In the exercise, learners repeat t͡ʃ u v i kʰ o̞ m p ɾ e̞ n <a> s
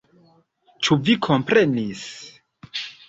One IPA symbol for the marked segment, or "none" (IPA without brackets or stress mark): i